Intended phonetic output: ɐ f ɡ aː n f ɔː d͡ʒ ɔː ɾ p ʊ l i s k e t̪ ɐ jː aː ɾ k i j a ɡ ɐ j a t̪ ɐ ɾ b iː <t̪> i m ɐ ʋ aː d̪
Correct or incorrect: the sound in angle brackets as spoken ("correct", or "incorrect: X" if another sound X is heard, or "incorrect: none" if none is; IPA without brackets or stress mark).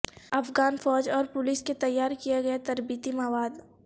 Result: correct